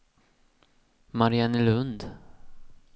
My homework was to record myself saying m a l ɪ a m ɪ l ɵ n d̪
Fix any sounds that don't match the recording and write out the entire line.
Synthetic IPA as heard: m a ɾ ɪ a n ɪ l ɵ n d̪